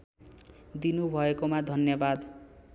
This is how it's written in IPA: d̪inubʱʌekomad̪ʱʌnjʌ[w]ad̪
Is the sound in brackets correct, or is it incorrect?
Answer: incorrect